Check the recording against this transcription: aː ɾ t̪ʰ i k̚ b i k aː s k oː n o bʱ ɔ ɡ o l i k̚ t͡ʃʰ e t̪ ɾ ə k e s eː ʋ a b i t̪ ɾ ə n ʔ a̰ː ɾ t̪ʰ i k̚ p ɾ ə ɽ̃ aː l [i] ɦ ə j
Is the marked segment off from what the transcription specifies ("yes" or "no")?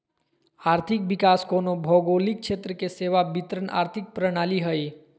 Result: no